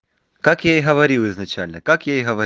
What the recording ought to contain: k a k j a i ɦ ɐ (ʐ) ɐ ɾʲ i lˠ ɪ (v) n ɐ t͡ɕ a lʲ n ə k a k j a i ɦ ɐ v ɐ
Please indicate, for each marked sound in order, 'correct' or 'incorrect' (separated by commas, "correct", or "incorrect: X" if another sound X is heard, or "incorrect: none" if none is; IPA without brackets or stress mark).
incorrect: v, incorrect: z